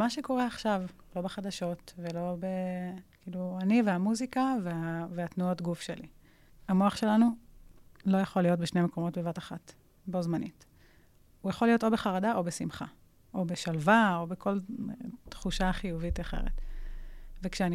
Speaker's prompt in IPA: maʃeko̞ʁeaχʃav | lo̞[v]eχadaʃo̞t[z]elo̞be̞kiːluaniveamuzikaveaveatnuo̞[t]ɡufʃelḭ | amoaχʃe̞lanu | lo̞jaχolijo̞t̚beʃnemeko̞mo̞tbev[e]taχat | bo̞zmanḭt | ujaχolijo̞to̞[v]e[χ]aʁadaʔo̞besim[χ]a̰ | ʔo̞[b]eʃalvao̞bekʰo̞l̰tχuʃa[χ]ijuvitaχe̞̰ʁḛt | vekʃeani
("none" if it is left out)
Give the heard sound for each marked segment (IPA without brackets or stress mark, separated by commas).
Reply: b, v, t, a, b, χ, χ, b, χ